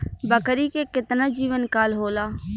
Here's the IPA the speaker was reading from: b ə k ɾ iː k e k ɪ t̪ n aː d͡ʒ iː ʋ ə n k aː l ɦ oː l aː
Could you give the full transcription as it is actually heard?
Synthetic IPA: b ə k ɾ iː k e k ɪ t̪ n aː d͡ʒ iː ʋ ə n k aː l ɦ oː l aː